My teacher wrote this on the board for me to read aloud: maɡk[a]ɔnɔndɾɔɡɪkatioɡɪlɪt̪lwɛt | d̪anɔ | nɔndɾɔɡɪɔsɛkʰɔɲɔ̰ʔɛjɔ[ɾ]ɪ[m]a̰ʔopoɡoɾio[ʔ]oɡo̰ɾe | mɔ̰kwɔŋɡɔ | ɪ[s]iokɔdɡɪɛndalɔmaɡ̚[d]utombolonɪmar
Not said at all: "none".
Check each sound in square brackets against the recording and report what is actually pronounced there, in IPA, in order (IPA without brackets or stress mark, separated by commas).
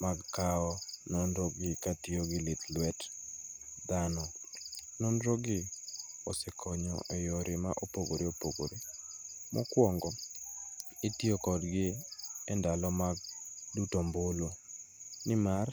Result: a, ɾ, m, p, t, d